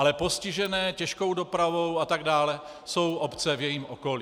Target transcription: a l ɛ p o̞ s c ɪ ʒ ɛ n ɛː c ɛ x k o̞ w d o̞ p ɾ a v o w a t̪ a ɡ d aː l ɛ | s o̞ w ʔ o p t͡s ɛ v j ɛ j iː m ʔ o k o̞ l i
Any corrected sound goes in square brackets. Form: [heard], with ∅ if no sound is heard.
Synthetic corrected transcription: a l ɛ p o̞ s c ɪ ʒ ɛ n ɛː c ɛ [ʃ] k o̞ w d o̞ p ɾ a v o w a t̪ a ɡ d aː l ɛ | s o̞ w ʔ o p t͡s ɛ v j ɛ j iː m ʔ o k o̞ l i